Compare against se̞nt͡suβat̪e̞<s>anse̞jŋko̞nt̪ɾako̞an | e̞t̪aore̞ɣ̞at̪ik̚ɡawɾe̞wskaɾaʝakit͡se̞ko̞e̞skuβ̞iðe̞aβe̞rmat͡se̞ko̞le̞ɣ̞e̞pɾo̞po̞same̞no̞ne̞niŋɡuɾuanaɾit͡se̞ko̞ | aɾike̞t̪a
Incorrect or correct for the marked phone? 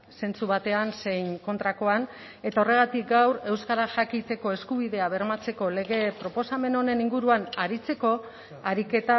incorrect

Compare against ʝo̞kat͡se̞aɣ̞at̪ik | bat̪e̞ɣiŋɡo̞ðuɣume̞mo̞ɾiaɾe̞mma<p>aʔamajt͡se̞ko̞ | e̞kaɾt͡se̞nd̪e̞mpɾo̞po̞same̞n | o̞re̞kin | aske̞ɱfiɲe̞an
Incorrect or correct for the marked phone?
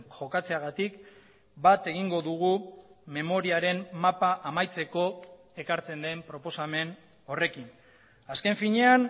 correct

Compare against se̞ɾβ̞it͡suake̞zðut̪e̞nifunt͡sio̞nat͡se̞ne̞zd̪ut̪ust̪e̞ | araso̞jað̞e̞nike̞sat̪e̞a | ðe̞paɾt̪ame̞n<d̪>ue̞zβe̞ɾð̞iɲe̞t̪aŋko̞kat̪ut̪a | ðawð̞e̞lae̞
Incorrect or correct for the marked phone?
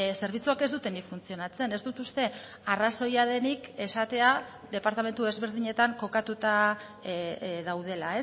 incorrect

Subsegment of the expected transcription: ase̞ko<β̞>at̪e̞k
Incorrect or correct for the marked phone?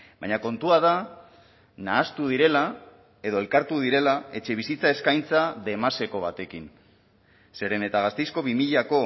correct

